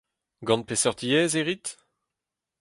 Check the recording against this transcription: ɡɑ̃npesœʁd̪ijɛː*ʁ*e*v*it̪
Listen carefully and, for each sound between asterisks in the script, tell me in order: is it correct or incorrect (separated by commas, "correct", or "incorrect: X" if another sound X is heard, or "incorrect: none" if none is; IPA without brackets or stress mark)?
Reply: incorrect: z, incorrect: ʁ